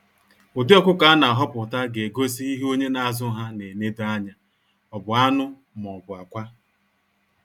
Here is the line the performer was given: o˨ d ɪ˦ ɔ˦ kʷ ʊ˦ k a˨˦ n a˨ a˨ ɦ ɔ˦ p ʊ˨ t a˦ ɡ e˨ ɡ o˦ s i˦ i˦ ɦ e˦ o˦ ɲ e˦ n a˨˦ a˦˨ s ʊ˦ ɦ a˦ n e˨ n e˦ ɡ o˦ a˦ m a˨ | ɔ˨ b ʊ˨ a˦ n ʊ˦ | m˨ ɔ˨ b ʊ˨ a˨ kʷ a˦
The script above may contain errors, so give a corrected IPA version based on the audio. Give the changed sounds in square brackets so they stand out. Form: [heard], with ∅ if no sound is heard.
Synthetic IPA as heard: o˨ d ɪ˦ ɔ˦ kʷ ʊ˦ k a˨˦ n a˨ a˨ ɦ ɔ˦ p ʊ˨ t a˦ ɡ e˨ ɡ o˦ s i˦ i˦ ɦ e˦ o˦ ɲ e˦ n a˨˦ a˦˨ [z] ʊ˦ ɦ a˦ n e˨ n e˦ [d] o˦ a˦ [ɲ] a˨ | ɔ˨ b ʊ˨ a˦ n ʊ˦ | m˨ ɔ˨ b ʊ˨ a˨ kʷ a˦